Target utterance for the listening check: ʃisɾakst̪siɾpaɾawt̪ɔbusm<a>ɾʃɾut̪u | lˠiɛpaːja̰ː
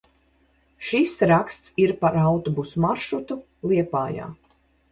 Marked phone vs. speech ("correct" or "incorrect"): correct